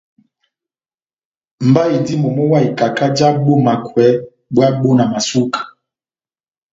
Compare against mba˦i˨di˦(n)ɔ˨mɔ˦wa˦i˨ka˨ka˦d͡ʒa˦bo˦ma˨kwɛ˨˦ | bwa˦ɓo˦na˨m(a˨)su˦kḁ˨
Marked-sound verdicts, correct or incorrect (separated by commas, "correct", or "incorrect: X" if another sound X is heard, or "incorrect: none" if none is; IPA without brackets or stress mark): incorrect: m, correct